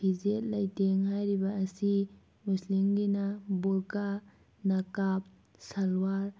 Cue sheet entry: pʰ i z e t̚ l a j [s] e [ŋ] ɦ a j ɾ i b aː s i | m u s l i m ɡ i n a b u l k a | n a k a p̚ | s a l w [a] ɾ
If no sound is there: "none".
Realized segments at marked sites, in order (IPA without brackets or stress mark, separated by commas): t, ŋ, a